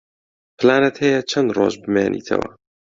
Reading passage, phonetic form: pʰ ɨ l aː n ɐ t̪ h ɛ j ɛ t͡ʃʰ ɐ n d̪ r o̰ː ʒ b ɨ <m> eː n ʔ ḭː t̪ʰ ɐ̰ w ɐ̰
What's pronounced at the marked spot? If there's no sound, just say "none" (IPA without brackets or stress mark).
m